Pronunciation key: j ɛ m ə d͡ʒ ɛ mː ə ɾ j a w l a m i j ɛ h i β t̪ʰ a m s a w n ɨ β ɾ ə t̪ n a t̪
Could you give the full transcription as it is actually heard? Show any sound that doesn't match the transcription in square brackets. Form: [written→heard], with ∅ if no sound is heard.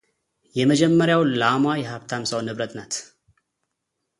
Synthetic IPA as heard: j ɛ m ə d͡ʒ ɛ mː ə ɾ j a w l a m [i→a] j ɛ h [i→a] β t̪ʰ a m s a w n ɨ β ɾ ə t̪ n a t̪